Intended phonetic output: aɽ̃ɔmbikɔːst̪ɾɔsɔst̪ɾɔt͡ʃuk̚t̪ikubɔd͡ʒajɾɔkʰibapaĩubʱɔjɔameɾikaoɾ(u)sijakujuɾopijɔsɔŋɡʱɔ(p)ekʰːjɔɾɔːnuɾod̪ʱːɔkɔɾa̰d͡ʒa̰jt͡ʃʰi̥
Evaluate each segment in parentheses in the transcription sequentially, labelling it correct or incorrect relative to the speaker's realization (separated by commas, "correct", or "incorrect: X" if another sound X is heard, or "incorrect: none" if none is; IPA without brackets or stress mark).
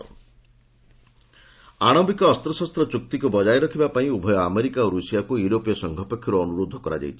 correct, correct